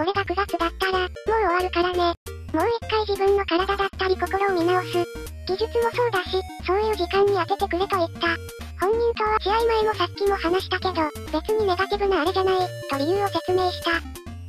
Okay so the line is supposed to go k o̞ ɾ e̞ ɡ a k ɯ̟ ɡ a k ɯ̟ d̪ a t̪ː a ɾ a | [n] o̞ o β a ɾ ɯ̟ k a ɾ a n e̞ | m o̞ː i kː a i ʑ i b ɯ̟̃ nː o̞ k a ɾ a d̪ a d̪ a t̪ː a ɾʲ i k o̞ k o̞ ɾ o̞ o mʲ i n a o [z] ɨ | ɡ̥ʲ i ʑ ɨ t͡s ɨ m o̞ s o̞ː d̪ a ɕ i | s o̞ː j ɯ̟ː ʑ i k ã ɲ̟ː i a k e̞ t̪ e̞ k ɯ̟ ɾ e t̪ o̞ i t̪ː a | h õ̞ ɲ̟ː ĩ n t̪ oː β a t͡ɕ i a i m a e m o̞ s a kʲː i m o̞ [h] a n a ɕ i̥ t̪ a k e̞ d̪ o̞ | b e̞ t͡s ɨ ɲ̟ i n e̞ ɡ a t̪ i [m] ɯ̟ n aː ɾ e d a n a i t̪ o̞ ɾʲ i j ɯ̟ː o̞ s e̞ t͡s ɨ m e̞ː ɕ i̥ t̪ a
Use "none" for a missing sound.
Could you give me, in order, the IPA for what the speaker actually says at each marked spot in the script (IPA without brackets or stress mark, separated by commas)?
m, s, h, b